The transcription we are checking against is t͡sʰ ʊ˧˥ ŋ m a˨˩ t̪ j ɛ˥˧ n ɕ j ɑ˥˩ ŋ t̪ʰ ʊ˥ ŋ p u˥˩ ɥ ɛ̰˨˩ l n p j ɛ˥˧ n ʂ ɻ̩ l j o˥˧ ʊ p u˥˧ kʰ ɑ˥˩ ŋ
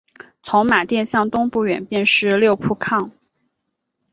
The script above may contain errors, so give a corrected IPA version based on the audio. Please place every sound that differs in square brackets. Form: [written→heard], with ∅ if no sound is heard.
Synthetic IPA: t͡sʰ ʊ˧˥ ŋ m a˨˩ t̪ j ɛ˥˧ n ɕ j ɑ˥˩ ŋ [t̪ʰ→t̪] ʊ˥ ŋ p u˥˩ ɥ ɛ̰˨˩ [l→∅] n p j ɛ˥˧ n ʂ ɻ̩ l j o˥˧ ʊ [p→pʰ] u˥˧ kʰ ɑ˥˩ ŋ